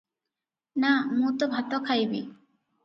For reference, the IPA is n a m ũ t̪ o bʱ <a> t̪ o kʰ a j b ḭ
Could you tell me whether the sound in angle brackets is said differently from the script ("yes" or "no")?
no